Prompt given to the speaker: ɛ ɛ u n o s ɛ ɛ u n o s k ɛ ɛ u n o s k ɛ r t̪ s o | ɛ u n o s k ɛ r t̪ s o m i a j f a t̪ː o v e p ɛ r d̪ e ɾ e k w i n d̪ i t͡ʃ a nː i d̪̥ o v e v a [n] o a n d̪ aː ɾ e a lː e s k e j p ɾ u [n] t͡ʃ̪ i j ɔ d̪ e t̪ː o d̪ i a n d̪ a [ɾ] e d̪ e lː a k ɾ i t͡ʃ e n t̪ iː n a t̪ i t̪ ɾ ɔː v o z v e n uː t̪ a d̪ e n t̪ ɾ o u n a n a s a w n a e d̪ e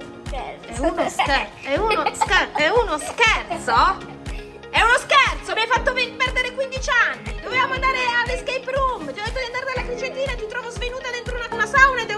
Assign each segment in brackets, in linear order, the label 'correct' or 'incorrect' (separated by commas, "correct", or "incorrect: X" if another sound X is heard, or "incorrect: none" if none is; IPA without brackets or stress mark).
incorrect: m, incorrect: m, correct